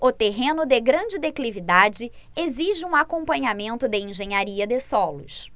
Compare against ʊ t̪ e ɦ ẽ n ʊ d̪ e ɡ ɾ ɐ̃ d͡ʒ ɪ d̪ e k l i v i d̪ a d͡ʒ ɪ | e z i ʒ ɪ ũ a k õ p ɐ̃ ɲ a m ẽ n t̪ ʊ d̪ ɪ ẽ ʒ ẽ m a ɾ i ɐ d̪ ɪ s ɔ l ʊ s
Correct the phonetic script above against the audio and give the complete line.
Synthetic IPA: ʊ t̪ e ɦ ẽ n ʊ d̪ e ɡ ɾ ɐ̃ d͡ʒ ɪ d̪ e k l i v i d̪ a d͡ʒ ɪ | e z i ʒ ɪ ũ a k õ p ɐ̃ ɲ a m ẽ n t̪ ʊ d̪ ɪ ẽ ʒ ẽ ɲ a ɾ i ɐ d̪ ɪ s ɔ l ʊ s